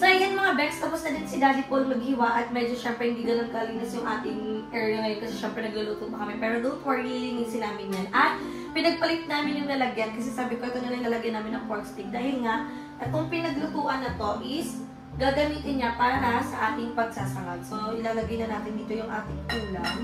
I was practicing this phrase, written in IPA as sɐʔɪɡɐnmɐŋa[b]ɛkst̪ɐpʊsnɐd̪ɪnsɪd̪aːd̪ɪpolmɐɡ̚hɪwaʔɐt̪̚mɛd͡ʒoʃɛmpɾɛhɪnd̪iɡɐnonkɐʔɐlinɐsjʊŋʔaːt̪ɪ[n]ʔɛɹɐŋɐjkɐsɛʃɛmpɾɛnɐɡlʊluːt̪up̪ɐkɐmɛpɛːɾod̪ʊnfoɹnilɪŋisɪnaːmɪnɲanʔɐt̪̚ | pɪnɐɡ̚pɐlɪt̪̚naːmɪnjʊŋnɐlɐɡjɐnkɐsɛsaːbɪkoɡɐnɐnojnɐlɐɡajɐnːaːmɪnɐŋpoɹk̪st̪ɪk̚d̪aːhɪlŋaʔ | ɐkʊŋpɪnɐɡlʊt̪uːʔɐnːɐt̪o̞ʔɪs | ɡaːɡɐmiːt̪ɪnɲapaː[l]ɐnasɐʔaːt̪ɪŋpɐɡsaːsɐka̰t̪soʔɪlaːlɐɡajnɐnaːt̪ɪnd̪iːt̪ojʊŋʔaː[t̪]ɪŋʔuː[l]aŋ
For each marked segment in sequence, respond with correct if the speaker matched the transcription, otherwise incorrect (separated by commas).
correct, incorrect, incorrect, correct, correct